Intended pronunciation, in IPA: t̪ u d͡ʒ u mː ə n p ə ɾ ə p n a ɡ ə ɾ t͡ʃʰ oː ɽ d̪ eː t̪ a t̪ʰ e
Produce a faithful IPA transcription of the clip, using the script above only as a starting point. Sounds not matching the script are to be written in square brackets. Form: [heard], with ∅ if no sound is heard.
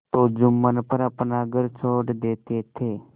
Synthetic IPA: t̪ [o] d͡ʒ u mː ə n p ə ɾ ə p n a ɡ ə ɾ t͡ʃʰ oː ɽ d̪ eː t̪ [e] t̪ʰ e